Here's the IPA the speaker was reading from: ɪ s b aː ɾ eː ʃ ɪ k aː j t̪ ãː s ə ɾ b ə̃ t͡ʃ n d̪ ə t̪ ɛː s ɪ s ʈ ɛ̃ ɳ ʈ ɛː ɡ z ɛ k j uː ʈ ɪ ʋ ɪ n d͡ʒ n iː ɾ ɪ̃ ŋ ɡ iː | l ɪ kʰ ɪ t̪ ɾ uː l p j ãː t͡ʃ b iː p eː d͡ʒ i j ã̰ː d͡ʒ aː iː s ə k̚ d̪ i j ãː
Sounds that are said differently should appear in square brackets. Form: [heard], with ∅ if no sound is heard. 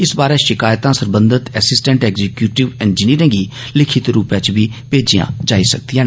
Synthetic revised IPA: ɪ s b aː ɾ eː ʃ ɪ k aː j t̪ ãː s ə ɾ b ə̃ [∅] n d̪ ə t̪ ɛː s ɪ s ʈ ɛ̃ ɳ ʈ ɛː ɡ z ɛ k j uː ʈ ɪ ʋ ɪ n d͡ʒ n iː ɾ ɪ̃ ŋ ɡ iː | l ɪ kʰ ɪ t̪ ɾ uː [∅] p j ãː t͡ʃ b iː p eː d͡ʒ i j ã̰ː d͡ʒ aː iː s ə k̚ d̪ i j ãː